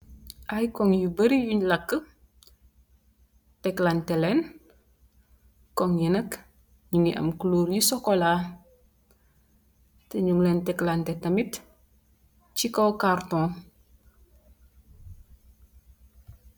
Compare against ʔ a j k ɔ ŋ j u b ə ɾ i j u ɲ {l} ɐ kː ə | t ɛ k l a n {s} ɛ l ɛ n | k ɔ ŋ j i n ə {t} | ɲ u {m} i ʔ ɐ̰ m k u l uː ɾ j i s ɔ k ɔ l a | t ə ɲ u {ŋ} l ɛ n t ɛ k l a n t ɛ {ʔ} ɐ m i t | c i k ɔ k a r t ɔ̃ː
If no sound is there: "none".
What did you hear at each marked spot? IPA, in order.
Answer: l, t, k, ŋ, ŋ, t

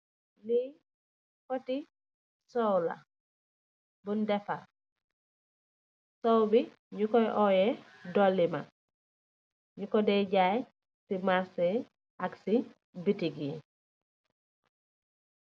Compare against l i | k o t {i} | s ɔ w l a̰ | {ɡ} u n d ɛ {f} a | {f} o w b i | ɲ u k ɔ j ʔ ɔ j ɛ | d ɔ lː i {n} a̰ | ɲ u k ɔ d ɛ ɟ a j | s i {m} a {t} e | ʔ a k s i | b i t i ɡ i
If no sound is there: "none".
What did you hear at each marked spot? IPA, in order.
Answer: i, b, f, s, m, m, s

